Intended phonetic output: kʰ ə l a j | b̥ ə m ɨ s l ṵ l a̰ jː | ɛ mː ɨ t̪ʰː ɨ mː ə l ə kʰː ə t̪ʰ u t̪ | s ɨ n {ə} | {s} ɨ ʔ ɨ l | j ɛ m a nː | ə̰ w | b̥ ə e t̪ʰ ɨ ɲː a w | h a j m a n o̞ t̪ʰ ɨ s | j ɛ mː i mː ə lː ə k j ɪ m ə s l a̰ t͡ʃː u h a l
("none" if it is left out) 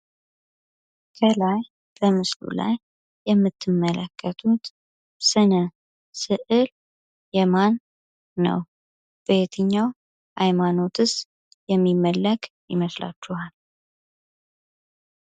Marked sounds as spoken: ə, s

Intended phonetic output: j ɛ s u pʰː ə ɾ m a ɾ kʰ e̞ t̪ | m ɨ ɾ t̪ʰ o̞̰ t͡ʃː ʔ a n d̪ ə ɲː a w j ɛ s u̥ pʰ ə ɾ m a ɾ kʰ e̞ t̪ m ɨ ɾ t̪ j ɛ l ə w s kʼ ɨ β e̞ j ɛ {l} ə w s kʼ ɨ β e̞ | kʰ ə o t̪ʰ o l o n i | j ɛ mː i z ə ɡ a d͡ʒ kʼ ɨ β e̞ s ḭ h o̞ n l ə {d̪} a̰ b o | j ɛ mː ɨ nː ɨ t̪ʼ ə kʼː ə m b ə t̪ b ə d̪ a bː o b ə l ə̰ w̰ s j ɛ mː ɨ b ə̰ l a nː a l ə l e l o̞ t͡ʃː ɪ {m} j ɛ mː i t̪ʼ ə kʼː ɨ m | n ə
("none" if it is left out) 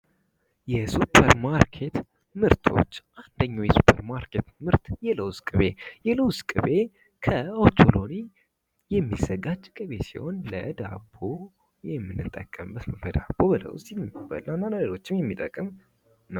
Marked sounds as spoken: l, d̪, m

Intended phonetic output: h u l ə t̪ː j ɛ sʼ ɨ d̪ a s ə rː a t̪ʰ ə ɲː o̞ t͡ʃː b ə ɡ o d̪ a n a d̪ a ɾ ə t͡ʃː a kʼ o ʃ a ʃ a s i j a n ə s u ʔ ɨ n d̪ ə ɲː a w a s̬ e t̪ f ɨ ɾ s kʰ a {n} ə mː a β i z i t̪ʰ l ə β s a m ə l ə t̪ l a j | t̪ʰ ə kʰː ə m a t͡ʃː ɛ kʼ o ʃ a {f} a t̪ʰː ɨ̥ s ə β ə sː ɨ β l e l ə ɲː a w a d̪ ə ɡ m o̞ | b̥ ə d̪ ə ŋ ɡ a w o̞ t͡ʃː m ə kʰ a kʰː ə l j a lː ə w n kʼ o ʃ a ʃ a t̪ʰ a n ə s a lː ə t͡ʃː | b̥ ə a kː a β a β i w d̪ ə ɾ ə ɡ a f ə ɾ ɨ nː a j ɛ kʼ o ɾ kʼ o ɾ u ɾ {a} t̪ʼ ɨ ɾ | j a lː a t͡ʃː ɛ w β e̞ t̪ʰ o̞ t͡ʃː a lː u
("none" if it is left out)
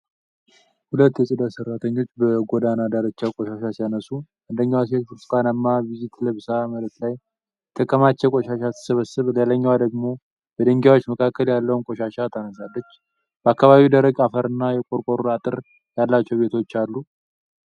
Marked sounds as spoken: n, ʃ, a

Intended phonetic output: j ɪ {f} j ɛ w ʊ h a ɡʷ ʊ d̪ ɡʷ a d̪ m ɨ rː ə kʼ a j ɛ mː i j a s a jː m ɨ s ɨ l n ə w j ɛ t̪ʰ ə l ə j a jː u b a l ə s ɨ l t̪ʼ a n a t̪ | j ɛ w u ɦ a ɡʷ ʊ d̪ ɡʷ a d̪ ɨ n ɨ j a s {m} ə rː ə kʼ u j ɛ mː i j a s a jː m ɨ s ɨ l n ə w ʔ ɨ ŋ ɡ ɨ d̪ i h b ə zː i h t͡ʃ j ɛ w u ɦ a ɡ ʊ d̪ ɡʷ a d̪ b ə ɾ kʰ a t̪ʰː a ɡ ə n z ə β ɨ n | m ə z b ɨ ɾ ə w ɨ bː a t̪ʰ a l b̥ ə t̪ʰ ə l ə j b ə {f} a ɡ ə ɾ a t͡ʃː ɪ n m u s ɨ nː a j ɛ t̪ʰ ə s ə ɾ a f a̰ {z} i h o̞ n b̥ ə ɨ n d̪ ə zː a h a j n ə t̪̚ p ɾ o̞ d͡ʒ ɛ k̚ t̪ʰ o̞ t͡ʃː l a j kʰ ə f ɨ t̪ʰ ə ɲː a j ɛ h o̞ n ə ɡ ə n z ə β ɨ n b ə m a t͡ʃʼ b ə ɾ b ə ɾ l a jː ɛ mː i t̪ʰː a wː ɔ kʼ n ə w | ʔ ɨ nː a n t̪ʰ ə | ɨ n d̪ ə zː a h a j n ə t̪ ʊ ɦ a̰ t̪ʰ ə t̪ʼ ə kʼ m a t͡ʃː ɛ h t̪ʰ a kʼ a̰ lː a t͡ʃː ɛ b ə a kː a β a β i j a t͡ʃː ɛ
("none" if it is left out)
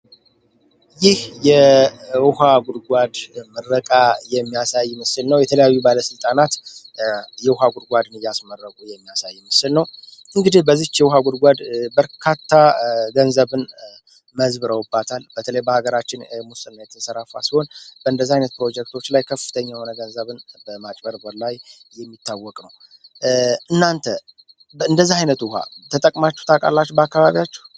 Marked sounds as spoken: h, m, h, s

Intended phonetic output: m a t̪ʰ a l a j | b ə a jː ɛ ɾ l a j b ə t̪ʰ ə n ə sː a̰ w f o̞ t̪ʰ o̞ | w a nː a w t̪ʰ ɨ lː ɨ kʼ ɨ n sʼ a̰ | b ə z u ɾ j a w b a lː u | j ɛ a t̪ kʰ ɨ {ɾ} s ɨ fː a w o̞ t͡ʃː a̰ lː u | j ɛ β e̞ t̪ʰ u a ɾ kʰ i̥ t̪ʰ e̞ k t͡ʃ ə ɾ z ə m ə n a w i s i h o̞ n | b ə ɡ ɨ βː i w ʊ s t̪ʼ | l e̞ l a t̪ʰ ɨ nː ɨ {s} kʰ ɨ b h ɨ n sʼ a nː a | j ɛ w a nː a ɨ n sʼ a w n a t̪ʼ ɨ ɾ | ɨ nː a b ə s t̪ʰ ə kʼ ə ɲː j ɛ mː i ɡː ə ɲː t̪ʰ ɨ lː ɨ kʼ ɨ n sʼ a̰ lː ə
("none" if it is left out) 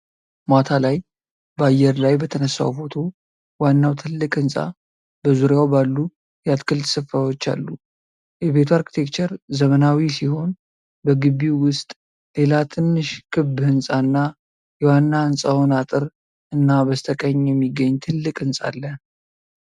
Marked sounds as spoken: l, ʃ

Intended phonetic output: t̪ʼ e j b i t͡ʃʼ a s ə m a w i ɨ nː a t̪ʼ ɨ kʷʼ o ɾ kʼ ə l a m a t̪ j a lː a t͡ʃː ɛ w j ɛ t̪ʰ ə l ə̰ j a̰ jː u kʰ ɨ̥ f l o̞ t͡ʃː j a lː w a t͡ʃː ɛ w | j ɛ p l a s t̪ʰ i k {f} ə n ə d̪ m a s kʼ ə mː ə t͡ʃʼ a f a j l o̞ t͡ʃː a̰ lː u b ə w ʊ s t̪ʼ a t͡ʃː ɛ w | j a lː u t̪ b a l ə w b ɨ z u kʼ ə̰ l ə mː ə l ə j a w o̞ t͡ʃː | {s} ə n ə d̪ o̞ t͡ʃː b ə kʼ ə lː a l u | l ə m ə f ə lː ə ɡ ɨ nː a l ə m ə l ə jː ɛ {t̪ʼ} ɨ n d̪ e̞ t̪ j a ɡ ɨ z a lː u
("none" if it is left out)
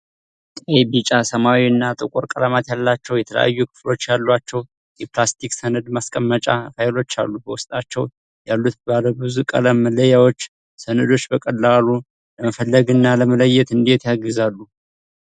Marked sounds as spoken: s, s, t̪

